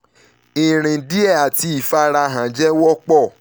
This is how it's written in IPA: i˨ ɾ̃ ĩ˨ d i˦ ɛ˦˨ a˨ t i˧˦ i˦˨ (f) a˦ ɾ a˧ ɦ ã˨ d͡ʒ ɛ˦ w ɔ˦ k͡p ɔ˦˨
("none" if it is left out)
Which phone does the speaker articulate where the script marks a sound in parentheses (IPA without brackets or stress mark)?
f